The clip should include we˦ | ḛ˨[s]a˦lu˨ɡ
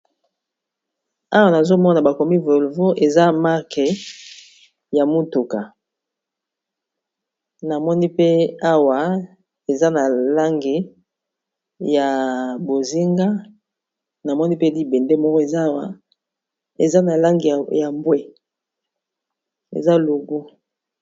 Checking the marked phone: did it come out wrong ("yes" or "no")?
yes